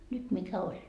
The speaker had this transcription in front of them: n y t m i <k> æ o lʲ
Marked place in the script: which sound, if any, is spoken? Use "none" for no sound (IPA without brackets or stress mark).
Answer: k